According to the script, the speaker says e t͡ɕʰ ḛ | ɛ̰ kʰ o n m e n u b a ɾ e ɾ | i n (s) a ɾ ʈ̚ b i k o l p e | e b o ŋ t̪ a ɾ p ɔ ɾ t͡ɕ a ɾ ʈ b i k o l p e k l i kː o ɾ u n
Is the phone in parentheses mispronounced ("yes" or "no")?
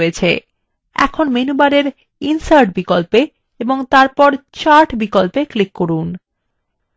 no